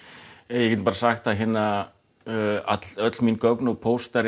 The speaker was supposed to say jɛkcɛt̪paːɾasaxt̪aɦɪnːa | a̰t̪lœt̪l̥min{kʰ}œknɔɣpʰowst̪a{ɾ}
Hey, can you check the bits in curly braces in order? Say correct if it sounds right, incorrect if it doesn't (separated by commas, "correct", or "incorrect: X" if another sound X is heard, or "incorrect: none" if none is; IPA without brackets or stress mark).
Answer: incorrect: k, correct